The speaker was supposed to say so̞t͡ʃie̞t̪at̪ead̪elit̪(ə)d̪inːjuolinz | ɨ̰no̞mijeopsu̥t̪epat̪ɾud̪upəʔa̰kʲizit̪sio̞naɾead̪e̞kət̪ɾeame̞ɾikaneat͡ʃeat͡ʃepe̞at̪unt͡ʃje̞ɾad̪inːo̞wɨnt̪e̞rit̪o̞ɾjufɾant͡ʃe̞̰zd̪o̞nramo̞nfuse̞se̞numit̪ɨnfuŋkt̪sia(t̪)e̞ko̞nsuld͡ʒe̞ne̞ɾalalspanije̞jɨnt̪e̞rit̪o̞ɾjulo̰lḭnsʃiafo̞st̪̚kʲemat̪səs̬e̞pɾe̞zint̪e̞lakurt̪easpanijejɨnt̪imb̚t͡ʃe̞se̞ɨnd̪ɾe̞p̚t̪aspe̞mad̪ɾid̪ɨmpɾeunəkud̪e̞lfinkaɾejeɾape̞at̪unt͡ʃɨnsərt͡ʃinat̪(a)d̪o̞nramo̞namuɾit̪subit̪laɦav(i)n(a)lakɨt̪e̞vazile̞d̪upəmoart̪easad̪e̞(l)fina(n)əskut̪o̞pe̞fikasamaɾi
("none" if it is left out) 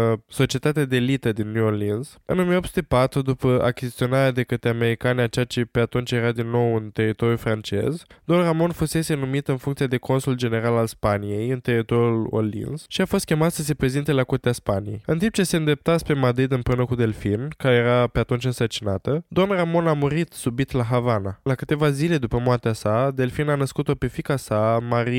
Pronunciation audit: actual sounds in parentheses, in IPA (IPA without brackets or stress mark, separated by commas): ə, d̪, ə, a, a, l, n